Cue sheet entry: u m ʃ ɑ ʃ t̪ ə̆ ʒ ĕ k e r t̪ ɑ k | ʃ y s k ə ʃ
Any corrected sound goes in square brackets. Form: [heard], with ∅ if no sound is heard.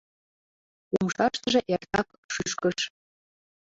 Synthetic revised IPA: u m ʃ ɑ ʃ t̪ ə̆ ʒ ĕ [ʔ] e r t̪ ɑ k | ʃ y [ʃ] k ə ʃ